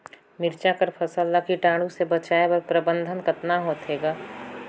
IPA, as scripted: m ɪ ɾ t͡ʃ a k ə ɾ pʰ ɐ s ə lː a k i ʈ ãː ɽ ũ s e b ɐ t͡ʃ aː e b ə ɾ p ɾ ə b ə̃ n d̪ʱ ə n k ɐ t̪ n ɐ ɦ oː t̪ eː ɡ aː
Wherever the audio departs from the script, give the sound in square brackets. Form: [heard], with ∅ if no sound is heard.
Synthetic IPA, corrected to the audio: m ɪ ɾ t͡ʃ a k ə ɾ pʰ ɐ s ə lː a k i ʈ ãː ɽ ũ s e b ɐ t͡ʃ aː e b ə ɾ p ɾ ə b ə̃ n d̪ʱ ə n k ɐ t̪ n [a] ɦ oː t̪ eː ɡ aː